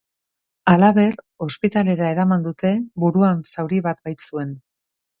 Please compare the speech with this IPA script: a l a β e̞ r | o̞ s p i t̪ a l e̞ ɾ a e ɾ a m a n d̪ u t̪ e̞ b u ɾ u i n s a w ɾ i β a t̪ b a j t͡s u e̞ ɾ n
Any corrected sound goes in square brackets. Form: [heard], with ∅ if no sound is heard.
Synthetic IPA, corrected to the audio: a l a β e̞ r | o̞ s p i t̪ a l e̞ ɾ a e ɾ a m a n d̪ u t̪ e̞ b u ɾ u [a] n s a w ɾ i β a t̪ b a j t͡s u e̞ [∅] n